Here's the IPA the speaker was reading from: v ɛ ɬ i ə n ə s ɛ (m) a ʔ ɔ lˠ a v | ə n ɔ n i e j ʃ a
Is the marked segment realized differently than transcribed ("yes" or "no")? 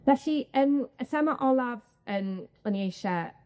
no